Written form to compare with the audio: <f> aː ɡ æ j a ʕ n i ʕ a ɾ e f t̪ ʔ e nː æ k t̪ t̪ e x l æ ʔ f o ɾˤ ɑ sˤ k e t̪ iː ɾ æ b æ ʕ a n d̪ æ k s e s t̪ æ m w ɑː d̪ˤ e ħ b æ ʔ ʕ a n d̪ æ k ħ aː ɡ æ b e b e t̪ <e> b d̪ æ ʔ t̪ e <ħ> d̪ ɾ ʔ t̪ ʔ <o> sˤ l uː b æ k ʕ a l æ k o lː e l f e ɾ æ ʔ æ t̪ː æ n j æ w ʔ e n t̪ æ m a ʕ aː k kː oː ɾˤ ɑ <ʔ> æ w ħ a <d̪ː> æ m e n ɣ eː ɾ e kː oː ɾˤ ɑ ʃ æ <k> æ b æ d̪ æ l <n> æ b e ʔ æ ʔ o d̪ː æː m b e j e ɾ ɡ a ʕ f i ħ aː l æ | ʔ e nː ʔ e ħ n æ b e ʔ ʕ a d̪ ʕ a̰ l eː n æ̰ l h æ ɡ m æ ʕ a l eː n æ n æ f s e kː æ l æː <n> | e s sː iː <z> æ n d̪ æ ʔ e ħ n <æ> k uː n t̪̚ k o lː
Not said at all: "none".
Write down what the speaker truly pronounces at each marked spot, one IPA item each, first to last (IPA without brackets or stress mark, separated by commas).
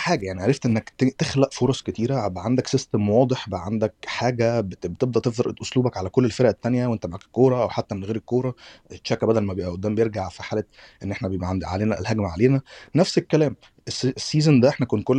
ħ, e, f, o, ʔ, t̪ː, k, m, m, z, æ